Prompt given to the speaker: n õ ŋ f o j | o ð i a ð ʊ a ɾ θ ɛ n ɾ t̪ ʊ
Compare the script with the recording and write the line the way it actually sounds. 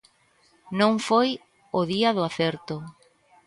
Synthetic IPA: n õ ŋ f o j | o ð i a ð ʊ a θ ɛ ɾ t̪ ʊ